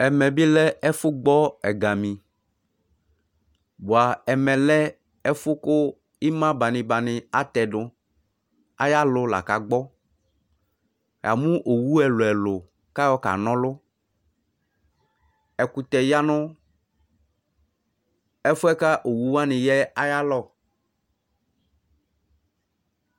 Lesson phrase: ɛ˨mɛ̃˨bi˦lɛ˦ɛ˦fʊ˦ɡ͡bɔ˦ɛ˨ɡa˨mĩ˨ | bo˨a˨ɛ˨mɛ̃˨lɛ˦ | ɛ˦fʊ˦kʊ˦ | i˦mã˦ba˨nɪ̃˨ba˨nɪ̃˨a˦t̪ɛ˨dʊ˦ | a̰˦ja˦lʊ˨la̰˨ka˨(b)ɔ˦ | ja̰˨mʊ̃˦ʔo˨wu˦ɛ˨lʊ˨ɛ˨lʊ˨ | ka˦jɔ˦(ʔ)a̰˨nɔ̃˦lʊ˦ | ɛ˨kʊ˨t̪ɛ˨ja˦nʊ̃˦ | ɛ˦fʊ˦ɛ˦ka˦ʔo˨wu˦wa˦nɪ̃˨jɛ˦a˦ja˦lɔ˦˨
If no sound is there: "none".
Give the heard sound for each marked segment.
ɡ͡b, k

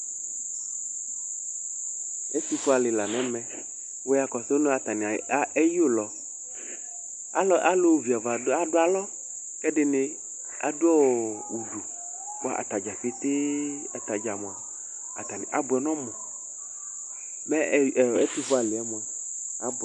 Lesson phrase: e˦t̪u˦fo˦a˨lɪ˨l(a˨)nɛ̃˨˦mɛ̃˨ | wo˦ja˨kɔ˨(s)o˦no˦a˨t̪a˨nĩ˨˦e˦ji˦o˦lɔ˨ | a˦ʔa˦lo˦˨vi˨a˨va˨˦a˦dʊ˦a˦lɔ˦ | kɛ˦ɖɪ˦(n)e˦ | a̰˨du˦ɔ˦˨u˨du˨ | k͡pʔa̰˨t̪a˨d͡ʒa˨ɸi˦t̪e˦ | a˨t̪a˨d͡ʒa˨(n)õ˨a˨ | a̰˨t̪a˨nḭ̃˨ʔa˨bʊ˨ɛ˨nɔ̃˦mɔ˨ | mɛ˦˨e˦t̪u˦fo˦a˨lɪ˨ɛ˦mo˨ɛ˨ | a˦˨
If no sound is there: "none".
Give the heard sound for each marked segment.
a˨, s, n, m

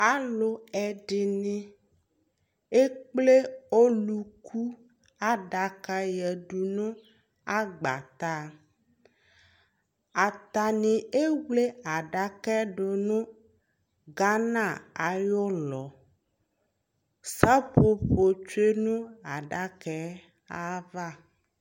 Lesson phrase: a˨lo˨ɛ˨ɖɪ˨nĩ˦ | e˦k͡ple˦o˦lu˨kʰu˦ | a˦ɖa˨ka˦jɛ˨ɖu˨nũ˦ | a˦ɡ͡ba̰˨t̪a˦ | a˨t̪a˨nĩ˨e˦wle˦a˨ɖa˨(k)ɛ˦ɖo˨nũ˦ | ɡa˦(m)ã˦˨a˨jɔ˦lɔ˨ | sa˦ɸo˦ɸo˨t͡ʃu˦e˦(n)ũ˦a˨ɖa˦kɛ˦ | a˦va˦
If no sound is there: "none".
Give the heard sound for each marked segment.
k, n, n

